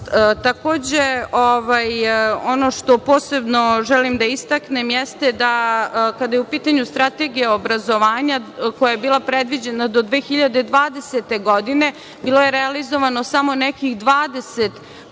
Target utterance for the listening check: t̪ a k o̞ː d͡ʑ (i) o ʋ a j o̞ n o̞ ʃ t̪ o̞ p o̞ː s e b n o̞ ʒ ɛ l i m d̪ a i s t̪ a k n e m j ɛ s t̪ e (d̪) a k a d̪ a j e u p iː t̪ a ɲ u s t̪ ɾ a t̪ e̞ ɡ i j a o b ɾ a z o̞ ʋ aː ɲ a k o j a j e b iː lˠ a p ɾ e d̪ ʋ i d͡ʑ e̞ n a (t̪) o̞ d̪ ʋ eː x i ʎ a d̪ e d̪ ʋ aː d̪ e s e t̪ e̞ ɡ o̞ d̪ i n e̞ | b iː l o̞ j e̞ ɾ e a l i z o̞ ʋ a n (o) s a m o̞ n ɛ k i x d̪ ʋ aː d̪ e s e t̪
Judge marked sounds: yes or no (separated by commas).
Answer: no, yes, no, yes